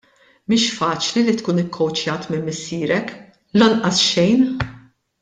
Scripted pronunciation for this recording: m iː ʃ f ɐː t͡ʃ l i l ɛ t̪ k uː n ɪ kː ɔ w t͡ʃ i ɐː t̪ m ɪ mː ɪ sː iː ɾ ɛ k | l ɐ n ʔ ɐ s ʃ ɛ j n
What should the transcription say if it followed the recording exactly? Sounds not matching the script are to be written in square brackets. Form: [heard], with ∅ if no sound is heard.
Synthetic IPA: m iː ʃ f ɐː t͡ʃ l i l [i] t̪ k uː n ɪ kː ɔ w t͡ʃ [j] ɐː t̪ m ɪ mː ɪ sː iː ɾ ɛ k | l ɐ n ʔ ɐ s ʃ ɛ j n